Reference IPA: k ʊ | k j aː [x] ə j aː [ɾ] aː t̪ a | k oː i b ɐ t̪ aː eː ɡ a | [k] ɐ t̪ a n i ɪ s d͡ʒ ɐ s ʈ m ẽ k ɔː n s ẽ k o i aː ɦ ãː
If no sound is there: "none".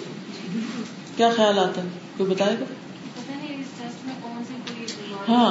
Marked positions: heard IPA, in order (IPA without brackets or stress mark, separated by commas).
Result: x, l, p